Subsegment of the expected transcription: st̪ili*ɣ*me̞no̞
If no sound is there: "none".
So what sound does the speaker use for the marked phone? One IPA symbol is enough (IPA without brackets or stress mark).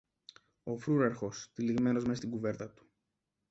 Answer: ɣ